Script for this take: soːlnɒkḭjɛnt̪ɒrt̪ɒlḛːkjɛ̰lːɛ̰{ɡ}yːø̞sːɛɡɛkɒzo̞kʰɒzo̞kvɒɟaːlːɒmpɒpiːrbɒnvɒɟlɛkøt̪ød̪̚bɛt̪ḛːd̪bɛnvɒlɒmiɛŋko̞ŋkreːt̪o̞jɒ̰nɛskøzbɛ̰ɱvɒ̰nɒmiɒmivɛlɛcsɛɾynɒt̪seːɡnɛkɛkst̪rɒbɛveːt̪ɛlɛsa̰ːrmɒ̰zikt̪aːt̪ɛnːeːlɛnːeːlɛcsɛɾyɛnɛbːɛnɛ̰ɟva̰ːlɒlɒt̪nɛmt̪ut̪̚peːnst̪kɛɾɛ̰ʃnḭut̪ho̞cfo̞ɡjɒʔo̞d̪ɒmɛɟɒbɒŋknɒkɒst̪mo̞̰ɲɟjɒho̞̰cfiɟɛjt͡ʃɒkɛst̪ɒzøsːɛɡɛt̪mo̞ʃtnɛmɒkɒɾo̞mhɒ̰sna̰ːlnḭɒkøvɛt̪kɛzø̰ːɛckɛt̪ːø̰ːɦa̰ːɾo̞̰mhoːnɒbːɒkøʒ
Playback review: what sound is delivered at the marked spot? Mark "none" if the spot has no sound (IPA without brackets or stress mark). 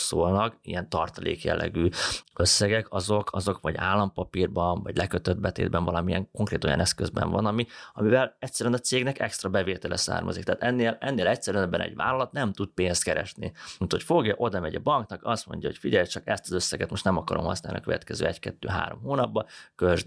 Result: ɡ